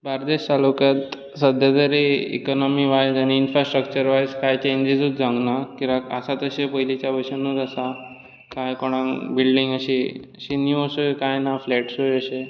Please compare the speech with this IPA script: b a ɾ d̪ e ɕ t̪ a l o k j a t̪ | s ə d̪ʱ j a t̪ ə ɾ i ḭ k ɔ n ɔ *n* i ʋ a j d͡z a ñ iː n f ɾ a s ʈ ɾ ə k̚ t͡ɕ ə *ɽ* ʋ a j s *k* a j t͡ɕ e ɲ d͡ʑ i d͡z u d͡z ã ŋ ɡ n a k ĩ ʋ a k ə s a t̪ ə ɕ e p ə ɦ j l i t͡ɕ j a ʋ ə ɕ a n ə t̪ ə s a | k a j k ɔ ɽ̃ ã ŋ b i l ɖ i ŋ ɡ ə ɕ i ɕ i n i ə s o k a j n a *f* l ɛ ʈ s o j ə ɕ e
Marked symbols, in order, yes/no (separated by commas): no, no, yes, yes